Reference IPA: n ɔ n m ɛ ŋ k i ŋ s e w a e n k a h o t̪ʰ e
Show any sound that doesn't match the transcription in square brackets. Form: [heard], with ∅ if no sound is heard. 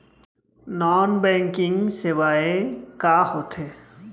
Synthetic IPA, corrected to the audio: n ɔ n [b] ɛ ŋ k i ŋ s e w a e [∅] k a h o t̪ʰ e